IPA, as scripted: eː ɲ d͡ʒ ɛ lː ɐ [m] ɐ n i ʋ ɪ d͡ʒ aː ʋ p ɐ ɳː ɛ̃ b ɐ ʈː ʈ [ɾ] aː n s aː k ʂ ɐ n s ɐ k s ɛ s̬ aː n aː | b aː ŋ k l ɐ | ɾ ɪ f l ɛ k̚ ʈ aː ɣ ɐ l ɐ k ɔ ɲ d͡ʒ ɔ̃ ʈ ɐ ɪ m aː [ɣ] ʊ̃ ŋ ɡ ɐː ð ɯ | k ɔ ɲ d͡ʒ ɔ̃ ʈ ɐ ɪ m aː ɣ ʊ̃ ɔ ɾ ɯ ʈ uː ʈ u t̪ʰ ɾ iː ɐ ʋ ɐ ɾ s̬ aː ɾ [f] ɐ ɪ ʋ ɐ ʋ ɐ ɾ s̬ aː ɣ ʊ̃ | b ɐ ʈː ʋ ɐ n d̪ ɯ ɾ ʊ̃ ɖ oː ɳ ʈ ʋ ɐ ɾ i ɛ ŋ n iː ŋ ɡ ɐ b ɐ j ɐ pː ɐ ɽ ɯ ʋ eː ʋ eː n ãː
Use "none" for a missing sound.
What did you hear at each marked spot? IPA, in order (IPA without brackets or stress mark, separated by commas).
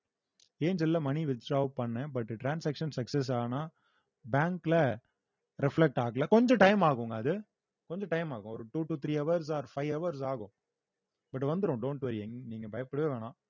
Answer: m, ɾ, ɣ, f